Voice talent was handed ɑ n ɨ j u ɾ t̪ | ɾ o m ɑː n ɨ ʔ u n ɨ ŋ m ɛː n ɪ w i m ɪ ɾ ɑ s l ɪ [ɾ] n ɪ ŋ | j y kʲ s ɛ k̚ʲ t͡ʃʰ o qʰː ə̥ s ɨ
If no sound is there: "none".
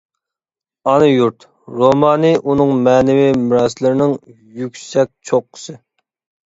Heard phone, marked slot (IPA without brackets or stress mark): ɾ